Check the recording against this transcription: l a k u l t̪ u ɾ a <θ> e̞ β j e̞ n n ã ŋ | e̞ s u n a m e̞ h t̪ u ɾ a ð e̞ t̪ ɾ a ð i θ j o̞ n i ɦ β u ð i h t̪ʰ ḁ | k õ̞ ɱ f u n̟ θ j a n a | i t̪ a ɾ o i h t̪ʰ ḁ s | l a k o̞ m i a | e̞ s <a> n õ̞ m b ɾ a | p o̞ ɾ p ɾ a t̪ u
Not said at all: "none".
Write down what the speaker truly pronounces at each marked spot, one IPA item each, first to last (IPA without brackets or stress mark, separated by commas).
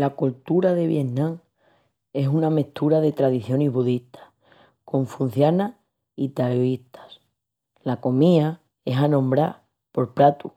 ð, a